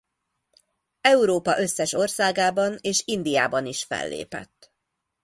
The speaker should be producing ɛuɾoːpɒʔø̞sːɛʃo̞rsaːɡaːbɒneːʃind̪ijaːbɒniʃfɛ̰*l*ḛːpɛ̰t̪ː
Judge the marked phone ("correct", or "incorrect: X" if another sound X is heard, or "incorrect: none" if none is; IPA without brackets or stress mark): incorrect: lː